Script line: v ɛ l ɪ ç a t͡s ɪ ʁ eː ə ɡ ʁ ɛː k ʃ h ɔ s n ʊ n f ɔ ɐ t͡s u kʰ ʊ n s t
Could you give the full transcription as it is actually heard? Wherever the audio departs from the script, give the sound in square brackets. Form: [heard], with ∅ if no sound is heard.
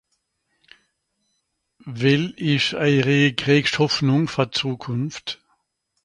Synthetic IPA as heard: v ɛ l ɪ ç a [∅] ɪ ʁ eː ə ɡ ʁ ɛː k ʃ h ɔ [f] n ʊ [ŋ] f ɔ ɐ t͡s [uː] kʰ ʊ n [f] t